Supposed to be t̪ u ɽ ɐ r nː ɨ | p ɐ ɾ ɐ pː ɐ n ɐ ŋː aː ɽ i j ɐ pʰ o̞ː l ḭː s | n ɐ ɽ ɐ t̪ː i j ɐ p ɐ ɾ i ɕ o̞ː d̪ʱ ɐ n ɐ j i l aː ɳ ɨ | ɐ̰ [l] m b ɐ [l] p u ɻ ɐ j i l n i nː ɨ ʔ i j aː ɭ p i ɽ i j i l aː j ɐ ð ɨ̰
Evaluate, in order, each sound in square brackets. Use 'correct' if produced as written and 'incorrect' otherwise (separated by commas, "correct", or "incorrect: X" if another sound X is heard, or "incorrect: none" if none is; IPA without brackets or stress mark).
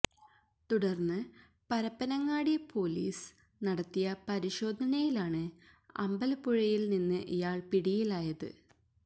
incorrect: none, correct